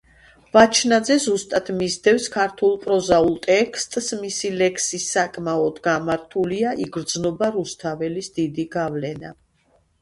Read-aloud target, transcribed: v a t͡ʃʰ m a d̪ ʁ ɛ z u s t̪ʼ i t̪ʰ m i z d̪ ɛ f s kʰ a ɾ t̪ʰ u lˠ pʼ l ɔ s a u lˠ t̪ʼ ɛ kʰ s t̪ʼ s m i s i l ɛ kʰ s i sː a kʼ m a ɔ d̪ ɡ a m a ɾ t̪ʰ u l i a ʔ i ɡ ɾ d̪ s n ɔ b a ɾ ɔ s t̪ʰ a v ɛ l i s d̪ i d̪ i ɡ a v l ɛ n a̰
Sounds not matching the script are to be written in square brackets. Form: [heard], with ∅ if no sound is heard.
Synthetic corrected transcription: v a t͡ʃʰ [n] a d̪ [z] ɛ z u s t̪ʼ [a] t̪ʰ m i z d̪ ɛ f s kʰ a ɾ t̪ʰ u lˠ pʼ [ɾ] ɔ [z] a u lˠ t̪ʼ ɛ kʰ s t̪ʼ s m i s i l ɛ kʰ s i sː a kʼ m a ɔ d̪ ɡ a m a ɾ t̪ʰ u l i a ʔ i ɡ ɾ d̪ [z] n ɔ b a ɾ [u] s t̪ʰ a v ɛ l i s d̪ i d̪ i ɡ a v l ɛ n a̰